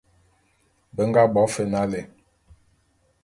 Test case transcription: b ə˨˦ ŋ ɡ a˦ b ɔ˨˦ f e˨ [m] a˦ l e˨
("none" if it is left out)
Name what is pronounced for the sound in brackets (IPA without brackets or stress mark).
n